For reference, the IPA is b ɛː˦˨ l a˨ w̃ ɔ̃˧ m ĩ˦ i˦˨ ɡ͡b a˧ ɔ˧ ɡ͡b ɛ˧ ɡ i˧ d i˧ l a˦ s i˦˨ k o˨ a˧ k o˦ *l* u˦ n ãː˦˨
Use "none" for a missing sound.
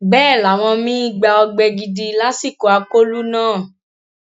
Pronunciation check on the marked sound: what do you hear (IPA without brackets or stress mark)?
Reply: l